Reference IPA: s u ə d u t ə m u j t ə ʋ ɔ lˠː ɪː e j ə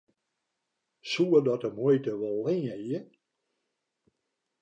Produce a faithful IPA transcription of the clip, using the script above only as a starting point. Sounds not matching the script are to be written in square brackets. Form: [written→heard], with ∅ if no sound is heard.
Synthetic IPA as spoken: s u ə d [u→ɔ] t ə m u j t ə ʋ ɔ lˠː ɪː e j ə